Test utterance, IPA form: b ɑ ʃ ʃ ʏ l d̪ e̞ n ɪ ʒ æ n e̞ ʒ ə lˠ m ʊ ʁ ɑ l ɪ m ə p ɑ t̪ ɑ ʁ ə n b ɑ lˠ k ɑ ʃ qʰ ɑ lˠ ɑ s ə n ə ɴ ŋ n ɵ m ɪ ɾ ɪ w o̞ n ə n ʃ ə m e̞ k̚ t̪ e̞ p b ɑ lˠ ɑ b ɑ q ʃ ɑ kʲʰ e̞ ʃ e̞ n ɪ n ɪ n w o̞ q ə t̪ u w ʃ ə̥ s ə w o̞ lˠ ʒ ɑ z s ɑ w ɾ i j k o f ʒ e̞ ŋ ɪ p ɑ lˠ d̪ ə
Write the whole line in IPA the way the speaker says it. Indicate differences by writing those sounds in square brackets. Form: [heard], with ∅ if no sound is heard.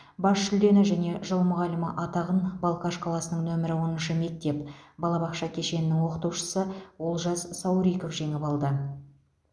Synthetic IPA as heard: b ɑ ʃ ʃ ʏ l d̪ e̞ n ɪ ʒ æ n e̞ ʒ ə lˠ m ʊ ʁ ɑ l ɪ m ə [ʔ] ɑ t̪ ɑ ʁ ə n b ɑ lˠ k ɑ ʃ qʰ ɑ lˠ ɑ s ə n ə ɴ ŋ n ɵ m ɪ ɾ ɪ w o̞ n ə n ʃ ə m e̞ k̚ t̪ e̞ p b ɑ lˠ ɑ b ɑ q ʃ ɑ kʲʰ e̞ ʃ e̞ n ɪ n ɪ [ŋ] w o̞ q ə t̪ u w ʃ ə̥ s ə w o̞ lˠ ʒ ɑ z s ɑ w ɾ i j k o f ʒ e̞ ŋ ɪ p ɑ lˠ d̪ ə